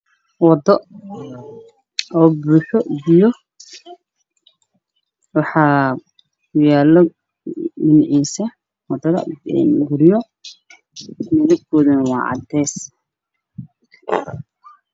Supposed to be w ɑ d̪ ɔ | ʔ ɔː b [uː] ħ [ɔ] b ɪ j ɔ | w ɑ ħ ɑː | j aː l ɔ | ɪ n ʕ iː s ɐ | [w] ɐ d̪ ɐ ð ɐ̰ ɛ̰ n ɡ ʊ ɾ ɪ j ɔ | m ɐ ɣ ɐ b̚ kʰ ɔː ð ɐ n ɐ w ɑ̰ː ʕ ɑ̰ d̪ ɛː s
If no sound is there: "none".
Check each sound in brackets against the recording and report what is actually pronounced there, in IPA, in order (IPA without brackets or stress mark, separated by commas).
uː, ɔ, w